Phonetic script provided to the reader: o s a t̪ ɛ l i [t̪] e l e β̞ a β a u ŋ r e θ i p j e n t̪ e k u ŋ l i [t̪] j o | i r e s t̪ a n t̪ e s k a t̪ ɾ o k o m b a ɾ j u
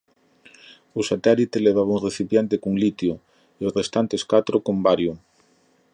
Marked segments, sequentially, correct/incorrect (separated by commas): correct, correct